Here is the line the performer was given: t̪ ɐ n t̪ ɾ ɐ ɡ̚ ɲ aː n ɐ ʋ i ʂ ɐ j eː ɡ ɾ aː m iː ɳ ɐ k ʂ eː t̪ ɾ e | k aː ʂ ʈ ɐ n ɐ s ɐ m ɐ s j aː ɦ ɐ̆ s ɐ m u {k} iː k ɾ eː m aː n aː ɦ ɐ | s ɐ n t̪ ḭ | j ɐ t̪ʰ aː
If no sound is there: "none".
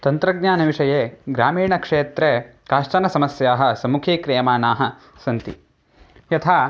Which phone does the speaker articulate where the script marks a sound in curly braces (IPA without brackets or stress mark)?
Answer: kʰ